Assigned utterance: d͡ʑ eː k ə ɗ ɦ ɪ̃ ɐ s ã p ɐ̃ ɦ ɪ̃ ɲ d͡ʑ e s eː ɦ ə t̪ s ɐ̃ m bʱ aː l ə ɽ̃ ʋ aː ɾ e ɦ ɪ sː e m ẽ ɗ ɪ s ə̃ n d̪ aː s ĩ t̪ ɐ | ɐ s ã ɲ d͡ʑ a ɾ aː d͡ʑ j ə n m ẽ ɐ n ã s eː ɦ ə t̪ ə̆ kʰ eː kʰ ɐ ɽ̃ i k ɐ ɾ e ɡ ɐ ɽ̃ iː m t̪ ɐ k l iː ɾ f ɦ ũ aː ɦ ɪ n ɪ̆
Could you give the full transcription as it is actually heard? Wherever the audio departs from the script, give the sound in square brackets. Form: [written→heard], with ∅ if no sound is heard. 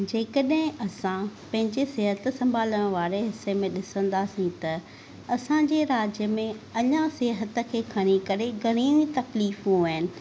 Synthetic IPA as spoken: d͡ʑ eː k ə ɗ ɦ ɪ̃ ɐ s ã p ɐ̃ ɦ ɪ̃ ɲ d͡ʑ e s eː ɦ ə t̪ s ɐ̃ m bʱ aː l ə ɽ̃ ʋ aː ɾ e ɦ ɪ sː e m ẽ ɗ ɪ s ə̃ n d̪ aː s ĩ t̪ ɐ | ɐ s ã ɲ d͡ʑ [a→e] ɾ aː d͡ʑ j ə [n→∅] m ẽ ɐ [n→ɲ] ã s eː ɦ ə t̪ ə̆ kʰ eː kʰ ɐ ɽ̃ i k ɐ ɾ e ɡ ɐ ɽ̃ iː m t̪ ɐ k l iː [ɾ→∅] f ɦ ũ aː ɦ ɪ n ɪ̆